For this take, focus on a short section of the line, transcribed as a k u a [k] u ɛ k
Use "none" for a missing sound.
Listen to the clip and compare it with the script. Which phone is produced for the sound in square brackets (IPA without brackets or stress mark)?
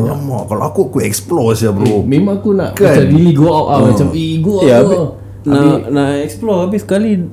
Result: k